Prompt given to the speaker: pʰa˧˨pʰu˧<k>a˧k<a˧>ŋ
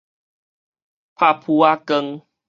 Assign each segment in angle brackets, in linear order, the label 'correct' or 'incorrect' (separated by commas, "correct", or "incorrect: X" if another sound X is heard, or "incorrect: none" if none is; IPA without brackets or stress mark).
incorrect: none, incorrect: ə˧